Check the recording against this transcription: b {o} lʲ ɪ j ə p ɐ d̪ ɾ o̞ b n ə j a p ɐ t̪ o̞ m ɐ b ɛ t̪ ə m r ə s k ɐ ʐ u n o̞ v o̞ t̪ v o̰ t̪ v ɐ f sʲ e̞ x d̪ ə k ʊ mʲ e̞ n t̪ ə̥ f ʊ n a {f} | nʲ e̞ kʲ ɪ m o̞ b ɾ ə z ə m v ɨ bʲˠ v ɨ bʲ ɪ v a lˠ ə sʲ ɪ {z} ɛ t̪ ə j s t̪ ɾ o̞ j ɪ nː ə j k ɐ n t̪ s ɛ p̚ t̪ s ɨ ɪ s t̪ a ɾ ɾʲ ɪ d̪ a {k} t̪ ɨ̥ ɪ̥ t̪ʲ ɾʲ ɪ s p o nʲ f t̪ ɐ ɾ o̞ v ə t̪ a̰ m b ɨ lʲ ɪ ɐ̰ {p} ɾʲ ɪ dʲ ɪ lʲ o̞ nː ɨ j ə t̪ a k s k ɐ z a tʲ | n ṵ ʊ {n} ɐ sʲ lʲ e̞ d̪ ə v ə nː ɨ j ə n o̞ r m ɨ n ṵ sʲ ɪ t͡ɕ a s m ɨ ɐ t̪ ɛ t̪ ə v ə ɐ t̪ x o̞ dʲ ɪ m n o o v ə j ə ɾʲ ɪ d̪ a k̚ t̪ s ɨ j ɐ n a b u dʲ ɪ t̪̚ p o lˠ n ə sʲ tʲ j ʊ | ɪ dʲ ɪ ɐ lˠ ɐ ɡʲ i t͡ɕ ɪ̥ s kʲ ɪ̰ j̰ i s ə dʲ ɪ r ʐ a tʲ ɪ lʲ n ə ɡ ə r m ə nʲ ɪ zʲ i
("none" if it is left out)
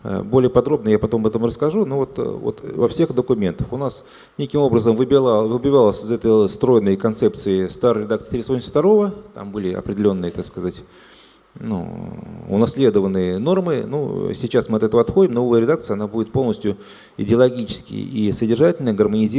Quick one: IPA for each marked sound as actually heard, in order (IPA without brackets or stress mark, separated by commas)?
o, s, z, k, p, n